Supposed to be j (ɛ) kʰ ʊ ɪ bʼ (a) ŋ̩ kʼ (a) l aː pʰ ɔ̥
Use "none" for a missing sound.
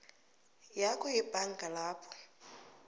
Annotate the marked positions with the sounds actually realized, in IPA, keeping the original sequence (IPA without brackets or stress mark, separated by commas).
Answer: a, a, a